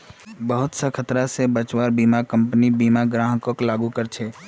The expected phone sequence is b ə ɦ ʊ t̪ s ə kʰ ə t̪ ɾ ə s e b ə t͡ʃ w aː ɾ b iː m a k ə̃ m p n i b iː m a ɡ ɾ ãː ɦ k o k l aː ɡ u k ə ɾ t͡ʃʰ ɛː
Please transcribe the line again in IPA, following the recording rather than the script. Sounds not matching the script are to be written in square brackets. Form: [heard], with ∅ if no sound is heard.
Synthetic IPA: b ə ɦ ʊ t̪ s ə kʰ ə t̪ ɾ [a] s e b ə t͡ʃ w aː ɾ b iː m a k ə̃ m p n i b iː m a ɡ ɾ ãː ɦ k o k l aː ɡ u k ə ɾ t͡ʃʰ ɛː